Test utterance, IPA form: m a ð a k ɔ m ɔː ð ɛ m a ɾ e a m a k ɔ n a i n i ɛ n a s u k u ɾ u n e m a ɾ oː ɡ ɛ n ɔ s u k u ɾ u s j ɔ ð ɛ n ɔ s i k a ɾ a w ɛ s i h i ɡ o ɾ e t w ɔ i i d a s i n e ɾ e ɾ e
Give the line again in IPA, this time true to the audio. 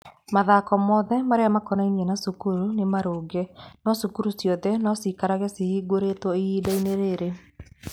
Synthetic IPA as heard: m a ð a k ɔ m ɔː ð ɛ m a ɾ e a m a k ɔ n a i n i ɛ n a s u k u ɾ u n e m a ɾ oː ɡ ɛ n ɔ s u k u ɾ u s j ɔ ð ɛ n ɔ s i k a ɾ a ɣ ɛ s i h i ɡ o ɾ e t w ɔ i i d a i n e ɾ e ɾ e